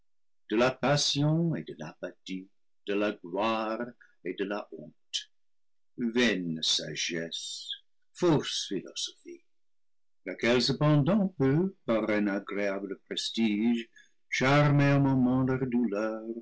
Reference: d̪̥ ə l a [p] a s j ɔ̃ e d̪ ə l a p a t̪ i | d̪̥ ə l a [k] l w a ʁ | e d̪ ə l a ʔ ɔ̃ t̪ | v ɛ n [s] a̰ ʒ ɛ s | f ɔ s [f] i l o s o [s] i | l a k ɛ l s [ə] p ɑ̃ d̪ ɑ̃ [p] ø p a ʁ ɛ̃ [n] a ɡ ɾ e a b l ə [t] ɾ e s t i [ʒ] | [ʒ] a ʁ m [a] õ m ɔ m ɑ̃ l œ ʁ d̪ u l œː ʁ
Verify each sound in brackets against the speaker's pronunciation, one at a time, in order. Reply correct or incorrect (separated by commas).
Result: correct, incorrect, correct, correct, incorrect, correct, correct, correct, incorrect, correct, incorrect, incorrect